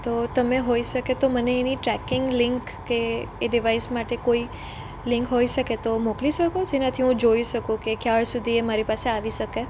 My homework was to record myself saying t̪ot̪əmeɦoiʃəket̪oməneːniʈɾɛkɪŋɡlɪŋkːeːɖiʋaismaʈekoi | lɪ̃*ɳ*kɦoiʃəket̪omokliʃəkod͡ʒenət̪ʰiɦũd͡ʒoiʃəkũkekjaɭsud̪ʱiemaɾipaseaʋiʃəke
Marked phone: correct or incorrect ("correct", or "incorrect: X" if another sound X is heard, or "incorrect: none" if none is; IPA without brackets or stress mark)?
incorrect: ŋ